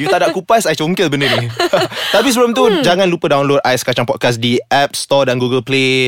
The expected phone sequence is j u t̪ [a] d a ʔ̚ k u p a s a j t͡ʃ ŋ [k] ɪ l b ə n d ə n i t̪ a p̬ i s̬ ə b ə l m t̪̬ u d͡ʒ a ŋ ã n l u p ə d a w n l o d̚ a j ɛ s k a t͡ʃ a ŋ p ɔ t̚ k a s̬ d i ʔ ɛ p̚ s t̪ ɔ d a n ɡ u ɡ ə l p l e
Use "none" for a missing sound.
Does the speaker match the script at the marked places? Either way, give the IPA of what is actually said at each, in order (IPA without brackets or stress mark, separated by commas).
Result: a, k